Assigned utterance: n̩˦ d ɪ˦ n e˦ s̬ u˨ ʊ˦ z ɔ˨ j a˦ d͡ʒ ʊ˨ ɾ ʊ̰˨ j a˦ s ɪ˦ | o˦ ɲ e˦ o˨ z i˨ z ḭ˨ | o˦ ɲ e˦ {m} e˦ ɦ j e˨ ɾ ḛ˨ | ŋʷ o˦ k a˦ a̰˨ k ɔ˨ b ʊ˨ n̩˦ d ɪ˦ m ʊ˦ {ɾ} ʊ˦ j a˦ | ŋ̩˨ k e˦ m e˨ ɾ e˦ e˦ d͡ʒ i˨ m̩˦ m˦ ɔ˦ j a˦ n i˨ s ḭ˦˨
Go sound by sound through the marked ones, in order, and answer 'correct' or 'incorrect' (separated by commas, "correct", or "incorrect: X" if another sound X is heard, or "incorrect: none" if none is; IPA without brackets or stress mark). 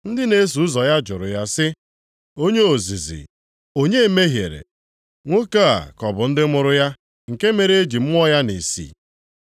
correct, correct